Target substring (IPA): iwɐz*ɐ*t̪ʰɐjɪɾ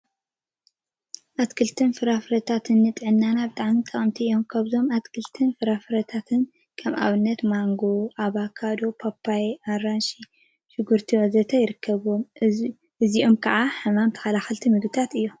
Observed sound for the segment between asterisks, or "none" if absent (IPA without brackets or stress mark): ɐ